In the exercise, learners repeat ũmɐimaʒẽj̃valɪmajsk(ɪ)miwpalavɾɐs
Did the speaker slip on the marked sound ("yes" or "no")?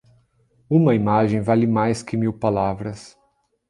no